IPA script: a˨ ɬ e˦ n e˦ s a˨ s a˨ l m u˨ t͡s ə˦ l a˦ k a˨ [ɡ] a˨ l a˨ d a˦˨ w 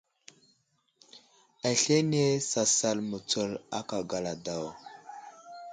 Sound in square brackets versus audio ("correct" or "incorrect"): correct